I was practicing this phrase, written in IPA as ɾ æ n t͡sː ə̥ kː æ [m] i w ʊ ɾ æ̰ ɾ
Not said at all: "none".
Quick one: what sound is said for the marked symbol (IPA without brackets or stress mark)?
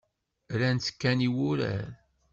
n